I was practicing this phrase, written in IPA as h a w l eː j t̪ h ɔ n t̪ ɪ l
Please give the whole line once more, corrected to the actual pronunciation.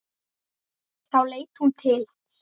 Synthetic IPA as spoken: θ a w l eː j t̪ h u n t̪ʰ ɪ l

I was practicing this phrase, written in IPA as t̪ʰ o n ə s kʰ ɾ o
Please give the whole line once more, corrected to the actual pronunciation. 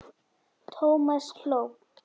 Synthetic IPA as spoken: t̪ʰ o m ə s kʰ l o

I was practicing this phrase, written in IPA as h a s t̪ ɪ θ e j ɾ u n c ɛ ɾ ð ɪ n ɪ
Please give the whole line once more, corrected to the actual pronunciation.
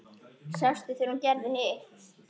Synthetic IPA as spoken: s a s t̪ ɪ θ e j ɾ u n c ɛ ɾ ð ɪ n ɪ

